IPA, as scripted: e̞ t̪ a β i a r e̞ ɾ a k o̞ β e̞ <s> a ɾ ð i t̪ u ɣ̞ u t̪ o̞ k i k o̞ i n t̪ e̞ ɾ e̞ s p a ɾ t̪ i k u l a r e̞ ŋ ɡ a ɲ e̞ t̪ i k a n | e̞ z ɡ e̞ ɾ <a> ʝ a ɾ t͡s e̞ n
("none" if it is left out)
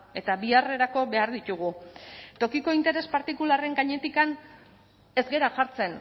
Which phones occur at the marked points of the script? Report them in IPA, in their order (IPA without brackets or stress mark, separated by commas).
none, a